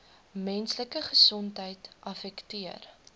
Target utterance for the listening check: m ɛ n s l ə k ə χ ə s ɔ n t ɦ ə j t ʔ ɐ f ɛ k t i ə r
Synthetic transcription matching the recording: m ɛ n s l ə k ə χ ə s ɔ n t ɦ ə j t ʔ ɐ f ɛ k t i ə r